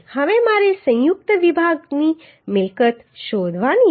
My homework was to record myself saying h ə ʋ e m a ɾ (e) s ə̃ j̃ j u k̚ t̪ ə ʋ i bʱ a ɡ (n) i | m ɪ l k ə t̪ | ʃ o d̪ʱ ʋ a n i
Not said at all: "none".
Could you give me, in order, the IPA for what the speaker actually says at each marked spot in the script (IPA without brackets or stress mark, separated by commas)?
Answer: e, n